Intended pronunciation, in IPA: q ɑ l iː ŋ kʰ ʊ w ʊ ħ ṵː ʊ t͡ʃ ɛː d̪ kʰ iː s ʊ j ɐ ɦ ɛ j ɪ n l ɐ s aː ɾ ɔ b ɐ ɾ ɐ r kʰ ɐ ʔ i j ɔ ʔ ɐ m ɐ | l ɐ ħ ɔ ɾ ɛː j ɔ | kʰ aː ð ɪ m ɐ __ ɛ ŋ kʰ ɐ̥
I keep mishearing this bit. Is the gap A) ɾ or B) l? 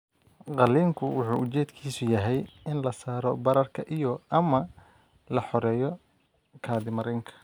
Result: A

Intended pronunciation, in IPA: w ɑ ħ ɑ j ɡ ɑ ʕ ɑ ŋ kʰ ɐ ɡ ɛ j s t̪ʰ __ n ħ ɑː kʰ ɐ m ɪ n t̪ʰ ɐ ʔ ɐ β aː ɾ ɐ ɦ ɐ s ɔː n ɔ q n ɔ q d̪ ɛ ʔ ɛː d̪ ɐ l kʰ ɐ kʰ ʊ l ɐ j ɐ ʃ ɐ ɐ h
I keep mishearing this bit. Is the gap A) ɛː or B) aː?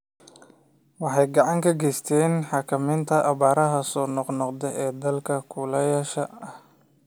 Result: A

